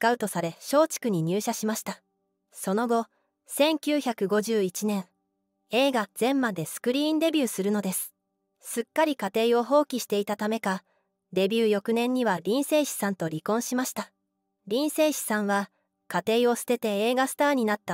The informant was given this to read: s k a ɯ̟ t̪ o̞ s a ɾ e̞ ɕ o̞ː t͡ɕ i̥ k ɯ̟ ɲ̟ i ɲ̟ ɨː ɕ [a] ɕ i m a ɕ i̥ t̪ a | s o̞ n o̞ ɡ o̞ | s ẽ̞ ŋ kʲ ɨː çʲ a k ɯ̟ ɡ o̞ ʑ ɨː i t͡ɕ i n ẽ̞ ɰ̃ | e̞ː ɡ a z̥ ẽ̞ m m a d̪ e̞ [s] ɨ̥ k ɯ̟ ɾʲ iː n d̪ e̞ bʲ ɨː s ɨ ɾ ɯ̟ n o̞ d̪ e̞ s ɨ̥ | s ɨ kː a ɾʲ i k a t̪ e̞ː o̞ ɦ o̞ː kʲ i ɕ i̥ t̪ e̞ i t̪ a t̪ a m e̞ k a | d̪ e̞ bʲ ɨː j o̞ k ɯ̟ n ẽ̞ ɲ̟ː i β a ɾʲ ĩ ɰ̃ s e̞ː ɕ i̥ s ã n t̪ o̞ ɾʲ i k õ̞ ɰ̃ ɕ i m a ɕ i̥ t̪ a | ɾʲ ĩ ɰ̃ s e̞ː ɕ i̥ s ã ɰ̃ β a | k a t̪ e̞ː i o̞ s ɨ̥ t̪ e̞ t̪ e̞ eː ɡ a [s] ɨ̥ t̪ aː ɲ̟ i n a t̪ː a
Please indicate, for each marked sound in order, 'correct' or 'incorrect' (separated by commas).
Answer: correct, correct, correct